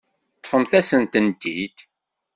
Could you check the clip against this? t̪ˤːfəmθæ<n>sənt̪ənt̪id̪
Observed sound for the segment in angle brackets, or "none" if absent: none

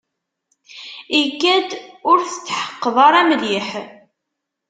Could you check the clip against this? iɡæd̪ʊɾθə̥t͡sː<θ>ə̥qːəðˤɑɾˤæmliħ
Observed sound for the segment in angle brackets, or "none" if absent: ħ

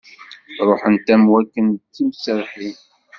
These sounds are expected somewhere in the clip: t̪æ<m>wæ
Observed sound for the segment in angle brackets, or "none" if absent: m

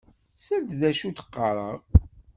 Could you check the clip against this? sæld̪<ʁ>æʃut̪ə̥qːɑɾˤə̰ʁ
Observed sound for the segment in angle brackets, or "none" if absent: ð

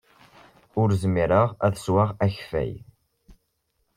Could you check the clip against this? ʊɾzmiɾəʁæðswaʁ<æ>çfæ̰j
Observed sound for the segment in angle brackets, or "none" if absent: æ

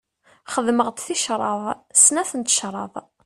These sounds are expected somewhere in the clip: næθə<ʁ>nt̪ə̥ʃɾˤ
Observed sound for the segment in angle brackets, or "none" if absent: none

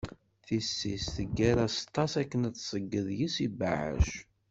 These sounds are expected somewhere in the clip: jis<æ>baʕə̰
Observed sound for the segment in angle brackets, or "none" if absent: i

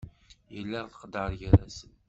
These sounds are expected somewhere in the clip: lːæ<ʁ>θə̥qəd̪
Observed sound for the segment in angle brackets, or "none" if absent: ʁ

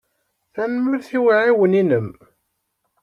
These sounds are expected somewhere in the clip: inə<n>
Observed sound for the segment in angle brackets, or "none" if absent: m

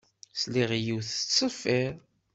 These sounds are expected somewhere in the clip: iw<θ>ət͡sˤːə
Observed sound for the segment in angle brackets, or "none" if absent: θ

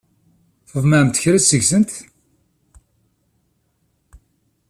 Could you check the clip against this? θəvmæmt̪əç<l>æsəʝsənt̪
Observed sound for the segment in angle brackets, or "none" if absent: ɾ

